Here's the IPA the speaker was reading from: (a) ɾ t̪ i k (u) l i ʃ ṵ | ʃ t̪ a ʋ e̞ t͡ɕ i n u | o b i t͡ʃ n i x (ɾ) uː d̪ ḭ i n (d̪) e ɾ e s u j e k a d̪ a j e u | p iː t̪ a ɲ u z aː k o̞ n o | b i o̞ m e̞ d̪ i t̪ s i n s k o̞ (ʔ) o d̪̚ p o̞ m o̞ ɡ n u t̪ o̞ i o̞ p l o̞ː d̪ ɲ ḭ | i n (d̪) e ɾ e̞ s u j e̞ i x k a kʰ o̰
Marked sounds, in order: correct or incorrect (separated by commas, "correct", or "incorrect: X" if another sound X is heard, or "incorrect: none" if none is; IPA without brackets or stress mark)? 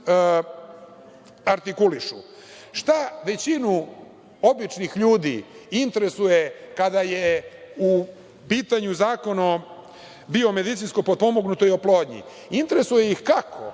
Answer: correct, correct, incorrect: ʎ, incorrect: t̪, incorrect: p, incorrect: t̪